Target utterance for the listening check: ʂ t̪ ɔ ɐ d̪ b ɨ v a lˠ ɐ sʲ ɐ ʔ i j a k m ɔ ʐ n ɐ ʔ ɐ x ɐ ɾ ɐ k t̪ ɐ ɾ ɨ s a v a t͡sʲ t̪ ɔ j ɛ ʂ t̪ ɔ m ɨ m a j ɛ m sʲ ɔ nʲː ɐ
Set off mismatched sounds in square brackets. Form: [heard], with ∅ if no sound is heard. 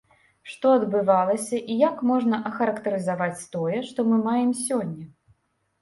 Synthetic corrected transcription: ʂ t̪ ɔ ɐ d̪ b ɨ v a lˠ ɐ sʲ ɐ ʔ i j a k m ɔ ʐ n ɐ ʔ ɐ x ɐ ɾ ɐ k t̪ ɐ ɾ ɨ [z] a v a t͡sʲ t̪ ɔ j ɛ ʂ t̪ ɔ m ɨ m a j ɛ m sʲ ɔ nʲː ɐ